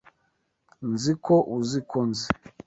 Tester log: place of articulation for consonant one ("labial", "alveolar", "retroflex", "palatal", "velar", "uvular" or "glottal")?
alveolar